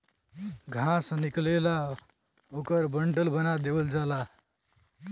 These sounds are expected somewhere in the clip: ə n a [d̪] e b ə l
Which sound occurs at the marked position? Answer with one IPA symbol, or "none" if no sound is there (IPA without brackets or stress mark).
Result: d̪